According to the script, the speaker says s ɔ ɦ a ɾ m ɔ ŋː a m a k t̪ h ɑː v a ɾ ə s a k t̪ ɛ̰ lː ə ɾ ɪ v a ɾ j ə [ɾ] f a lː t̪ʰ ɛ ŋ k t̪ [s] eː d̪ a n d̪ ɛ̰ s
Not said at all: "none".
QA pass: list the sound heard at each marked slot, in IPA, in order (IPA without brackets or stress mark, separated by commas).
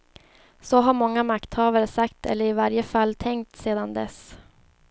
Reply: none, s